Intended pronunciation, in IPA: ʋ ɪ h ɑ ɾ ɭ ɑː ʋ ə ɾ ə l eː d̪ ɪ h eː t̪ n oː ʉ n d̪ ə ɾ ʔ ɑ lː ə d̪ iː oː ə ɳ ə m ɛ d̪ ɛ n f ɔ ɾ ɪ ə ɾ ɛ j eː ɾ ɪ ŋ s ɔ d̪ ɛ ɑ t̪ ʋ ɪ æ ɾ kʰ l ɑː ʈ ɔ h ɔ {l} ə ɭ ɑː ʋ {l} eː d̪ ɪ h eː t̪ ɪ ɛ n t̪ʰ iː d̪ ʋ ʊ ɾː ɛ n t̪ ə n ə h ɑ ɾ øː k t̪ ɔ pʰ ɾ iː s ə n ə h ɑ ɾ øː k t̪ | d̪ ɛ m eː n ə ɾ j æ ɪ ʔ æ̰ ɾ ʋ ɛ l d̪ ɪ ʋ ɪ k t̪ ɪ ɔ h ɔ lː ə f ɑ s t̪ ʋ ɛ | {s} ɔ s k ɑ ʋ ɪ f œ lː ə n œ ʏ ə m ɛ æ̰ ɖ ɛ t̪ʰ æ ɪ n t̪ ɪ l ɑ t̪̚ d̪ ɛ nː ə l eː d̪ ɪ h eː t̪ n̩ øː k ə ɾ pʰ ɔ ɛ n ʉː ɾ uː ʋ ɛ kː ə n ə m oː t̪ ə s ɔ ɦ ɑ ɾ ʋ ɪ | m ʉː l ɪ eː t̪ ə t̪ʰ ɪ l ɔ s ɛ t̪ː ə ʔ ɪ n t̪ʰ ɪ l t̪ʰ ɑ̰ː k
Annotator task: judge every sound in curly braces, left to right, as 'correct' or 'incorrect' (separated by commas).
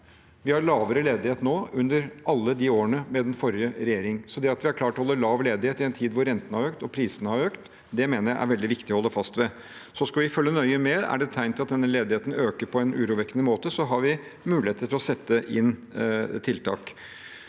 incorrect, correct, correct